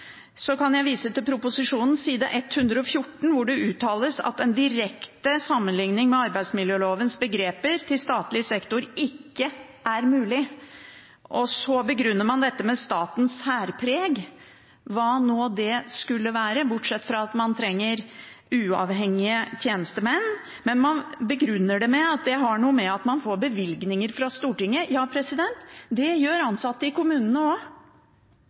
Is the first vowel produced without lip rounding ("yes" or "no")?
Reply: no